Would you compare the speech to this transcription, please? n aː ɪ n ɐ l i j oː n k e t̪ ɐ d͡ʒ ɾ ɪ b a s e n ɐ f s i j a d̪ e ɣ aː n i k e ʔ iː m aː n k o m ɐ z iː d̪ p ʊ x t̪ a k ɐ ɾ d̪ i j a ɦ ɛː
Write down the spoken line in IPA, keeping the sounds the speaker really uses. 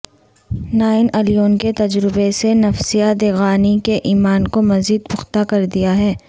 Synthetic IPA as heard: n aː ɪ n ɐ l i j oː n k e t̪ ɐ d͡ʒ ɾ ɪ b e s e n ɐ f s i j a d̪ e ɣ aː n i k e ʔ iː m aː n k o m ɐ z iː d̪ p ʊ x t̪ a k ɐ ɾ d̪ i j a ɦ ɛː